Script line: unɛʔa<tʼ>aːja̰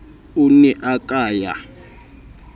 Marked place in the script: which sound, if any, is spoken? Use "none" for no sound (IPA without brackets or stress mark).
kʼ